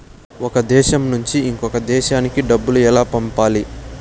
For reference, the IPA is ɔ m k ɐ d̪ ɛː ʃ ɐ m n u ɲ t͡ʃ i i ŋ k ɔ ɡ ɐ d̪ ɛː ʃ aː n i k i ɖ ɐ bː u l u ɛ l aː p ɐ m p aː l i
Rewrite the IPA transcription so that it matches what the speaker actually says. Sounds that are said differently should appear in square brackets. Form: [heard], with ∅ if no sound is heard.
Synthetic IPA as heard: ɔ [∅] k ɐ d̪ ɛː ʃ ɐ m n u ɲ t͡ʃ i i ŋ k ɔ [k] ɐ d̪ ɛː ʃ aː n i k i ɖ ɐ bː u l u ɛ l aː p ɐ m p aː l i